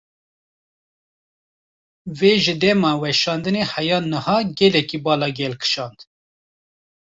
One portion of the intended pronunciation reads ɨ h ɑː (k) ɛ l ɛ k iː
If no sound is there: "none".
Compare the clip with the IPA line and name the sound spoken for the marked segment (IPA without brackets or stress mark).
ɡ